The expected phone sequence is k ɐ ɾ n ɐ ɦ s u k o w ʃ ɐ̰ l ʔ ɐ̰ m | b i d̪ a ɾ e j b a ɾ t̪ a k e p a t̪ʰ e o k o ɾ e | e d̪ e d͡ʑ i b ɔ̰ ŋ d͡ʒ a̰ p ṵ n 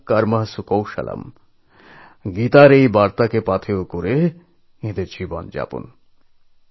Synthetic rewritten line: k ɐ ɾ m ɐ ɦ s u k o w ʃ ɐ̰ l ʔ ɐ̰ m | ɡ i t̪ a ɾ e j b a ɾ t̪ a k e p a t̪ʰ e o k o ɾ e | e d̪ e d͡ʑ i b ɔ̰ n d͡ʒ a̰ p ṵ n